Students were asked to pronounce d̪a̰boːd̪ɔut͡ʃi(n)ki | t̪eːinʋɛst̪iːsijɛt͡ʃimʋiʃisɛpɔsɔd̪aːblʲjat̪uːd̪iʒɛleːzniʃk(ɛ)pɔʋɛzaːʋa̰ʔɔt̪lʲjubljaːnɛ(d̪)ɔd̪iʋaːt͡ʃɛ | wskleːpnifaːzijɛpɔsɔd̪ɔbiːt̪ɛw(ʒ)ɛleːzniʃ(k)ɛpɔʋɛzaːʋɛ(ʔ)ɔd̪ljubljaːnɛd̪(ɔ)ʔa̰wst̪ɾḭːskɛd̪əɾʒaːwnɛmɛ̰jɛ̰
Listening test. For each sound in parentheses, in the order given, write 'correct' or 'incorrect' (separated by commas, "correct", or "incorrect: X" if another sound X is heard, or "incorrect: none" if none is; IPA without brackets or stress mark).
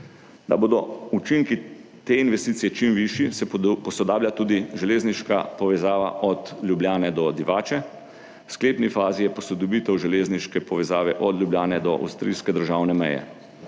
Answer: incorrect: ŋ, incorrect: a, correct, correct, correct, correct, correct